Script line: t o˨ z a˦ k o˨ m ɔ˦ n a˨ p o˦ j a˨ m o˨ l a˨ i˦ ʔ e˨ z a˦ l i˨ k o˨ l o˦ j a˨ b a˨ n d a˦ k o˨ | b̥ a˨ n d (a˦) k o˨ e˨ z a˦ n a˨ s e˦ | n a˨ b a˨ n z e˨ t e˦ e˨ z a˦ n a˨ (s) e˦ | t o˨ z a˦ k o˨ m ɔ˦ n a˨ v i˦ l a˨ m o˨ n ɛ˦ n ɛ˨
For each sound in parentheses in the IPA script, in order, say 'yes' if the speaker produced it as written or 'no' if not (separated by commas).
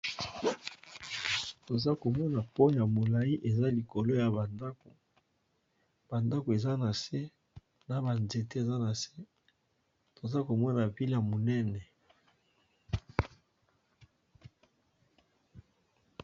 yes, yes